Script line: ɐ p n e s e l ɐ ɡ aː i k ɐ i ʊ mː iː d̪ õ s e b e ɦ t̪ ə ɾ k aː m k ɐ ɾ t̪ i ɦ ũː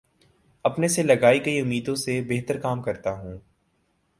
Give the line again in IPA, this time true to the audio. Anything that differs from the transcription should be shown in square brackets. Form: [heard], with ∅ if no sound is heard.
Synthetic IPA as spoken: ɐ p n e s e l ɐ ɡ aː i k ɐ i ʊ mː iː d̪ õ s e b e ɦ t̪ ə ɾ k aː m k ɐ ɾ t̪ [a] ɦ ũː